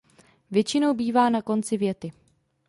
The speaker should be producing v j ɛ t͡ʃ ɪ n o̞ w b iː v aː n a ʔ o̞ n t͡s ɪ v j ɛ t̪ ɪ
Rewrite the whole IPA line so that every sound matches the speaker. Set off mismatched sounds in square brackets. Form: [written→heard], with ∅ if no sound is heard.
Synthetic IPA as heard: v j ɛ t͡ʃ ɪ n o̞ w b iː v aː n a [ʔ→k] o̞ n t͡s ɪ v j ɛ t̪ ɪ